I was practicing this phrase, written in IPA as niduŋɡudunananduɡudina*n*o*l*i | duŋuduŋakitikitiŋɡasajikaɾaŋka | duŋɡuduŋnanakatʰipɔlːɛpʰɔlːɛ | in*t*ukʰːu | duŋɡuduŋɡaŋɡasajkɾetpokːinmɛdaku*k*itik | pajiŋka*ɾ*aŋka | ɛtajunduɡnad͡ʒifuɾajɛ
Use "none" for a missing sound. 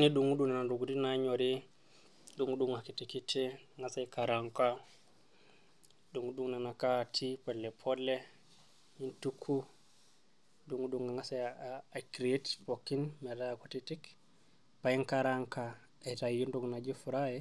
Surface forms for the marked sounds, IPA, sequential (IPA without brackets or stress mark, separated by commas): ɲ, ɾ, t, t, ɾ